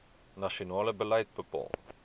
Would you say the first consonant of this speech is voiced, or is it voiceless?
voiced